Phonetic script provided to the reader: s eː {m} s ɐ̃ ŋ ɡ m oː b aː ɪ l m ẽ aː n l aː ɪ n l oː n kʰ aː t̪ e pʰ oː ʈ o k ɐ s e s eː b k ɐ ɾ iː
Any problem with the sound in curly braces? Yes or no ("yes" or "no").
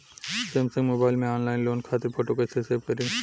no